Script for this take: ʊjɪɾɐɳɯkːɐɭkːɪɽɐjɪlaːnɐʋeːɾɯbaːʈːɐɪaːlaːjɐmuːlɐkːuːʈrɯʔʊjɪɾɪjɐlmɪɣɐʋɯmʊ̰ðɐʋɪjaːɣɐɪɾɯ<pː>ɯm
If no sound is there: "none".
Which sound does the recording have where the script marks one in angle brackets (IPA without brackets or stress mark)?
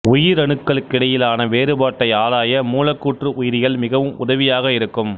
kː